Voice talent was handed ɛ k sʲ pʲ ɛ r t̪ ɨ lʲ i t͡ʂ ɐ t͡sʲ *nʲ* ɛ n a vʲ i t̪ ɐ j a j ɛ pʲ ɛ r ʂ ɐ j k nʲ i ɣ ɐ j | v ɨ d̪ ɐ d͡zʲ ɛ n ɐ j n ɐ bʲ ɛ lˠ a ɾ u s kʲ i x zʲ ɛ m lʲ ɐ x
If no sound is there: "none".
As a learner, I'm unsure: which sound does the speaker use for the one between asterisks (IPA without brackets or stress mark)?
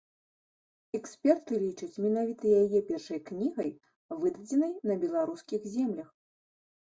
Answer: mʲ